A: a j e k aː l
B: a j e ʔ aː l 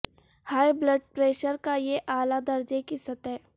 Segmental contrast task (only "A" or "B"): B